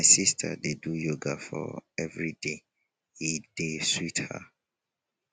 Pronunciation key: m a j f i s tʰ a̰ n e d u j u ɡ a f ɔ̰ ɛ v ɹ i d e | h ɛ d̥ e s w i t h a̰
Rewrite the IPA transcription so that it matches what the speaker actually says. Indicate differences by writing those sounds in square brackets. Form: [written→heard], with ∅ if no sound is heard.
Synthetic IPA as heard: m a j [f→s] i s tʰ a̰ [n→d] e d u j [u→o] ɡ a f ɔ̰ ɛ v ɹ i d e | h [ɛ→i] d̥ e s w i t h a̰